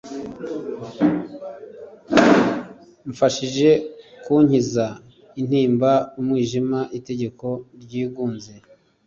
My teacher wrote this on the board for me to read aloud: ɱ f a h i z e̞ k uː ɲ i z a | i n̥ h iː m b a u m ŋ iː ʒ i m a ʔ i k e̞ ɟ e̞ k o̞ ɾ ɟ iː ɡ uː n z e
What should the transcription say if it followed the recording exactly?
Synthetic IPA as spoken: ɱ f a ʃ i ʒ e̞ k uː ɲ i z a | i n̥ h iː m b a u m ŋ iː ʒ i m a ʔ i t e̞ ɟ e̞ k o̞ ɾ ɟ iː ɡ uː n z e